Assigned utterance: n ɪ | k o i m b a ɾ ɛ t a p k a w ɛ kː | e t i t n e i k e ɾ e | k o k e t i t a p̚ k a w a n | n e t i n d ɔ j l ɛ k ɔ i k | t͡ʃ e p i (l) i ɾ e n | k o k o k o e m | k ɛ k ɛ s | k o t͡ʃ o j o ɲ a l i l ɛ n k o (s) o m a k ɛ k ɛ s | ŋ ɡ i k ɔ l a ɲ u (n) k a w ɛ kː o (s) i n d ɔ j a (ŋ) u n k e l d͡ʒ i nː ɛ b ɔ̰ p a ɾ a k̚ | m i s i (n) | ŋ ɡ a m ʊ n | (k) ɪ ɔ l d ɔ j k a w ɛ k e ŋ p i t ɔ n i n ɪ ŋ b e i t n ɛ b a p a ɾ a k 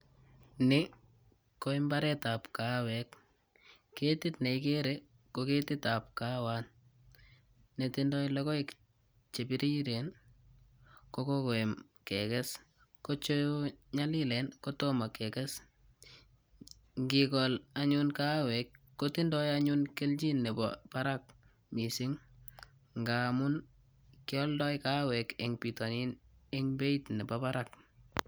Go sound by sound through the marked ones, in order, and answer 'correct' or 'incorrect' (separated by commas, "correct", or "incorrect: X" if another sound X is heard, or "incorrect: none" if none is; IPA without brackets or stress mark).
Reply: incorrect: ɾ, incorrect: t, correct, incorrect: t, incorrect: ɲ, incorrect: ŋ, correct